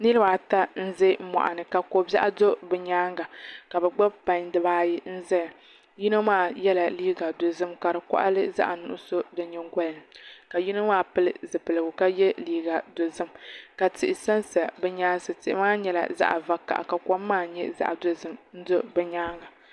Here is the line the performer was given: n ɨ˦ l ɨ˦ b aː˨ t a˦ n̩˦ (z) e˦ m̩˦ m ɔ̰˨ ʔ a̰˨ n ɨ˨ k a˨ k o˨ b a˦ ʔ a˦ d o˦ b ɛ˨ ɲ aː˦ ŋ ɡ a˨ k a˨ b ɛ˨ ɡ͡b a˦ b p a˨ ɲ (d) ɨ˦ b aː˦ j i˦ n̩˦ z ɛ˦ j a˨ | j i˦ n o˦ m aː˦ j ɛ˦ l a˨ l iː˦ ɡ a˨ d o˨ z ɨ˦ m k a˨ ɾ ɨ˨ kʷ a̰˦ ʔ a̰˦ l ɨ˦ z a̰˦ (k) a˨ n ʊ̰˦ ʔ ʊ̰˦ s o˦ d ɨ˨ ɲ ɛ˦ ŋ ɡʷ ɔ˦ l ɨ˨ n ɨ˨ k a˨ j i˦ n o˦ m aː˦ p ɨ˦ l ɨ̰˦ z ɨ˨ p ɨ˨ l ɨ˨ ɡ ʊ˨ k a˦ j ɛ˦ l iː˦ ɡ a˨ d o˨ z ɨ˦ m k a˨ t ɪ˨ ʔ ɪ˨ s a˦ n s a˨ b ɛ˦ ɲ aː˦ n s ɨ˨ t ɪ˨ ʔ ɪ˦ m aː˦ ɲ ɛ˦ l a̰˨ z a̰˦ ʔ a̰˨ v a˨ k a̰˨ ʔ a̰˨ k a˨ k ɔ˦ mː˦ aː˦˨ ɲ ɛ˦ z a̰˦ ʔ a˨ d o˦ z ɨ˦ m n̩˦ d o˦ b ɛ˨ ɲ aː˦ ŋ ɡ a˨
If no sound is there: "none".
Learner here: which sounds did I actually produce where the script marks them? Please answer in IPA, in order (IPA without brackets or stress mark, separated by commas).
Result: z, d, ʔ